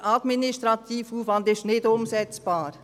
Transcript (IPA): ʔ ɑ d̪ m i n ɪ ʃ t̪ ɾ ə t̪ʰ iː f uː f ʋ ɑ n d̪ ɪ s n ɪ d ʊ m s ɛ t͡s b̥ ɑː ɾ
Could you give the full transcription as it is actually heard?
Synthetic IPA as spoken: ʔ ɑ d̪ m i n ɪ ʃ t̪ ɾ ɑ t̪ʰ iː f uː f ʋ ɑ n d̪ ɪ ʃ n ɪ d ʊ m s ɛ t͡s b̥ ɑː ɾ